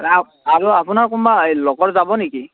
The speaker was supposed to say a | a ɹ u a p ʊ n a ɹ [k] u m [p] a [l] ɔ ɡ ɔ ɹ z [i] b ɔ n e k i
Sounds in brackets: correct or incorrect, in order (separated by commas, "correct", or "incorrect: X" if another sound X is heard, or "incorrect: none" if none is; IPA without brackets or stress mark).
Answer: correct, incorrect: b, correct, incorrect: a